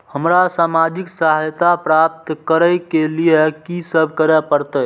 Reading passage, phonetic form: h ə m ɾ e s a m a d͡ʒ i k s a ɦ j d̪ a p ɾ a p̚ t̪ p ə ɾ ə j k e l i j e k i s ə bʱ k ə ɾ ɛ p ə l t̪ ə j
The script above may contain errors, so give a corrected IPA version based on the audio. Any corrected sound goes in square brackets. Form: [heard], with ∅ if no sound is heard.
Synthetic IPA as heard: h ə m ɾ [a] s a m a d͡ʒ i k s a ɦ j [t̪] a p ɾ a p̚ t̪ [k] ə ɾ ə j k e l i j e k i s ə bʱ k ə ɾ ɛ p ə [ɾ] t̪ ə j